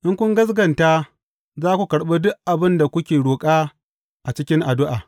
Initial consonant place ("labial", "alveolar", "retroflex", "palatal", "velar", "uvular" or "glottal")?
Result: glottal